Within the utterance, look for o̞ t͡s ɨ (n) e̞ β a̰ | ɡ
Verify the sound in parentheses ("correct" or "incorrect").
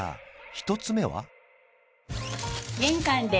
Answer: incorrect